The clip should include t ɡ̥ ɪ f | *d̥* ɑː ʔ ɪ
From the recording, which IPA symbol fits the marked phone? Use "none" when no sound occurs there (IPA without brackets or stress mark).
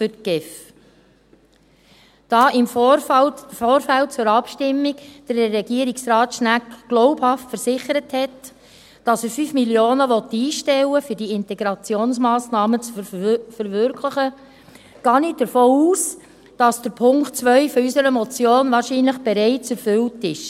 d̥